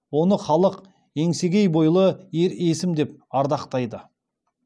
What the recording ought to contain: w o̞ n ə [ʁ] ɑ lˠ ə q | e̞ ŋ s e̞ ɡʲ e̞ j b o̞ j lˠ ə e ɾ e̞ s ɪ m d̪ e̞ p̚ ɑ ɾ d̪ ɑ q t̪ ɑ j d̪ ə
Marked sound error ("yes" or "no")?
yes